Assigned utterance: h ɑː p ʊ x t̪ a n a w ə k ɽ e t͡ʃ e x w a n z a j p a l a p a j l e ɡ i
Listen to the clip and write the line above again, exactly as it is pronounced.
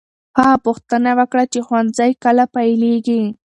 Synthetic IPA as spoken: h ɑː p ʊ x t̪ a n a w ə k ɽ a t͡ʃ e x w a n z a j k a l a p a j l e ɡ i